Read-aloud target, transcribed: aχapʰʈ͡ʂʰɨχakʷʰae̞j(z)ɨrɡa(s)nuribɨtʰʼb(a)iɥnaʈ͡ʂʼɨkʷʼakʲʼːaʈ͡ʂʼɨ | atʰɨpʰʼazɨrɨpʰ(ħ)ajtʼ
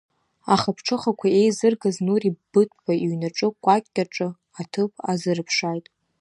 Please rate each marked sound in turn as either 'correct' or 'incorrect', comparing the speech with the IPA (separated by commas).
correct, incorrect, correct, incorrect